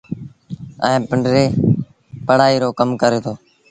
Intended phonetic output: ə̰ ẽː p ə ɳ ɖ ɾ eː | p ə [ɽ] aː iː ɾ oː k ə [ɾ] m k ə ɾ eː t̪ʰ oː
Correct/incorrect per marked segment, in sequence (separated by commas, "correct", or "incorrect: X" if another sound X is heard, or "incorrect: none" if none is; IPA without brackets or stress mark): correct, incorrect: none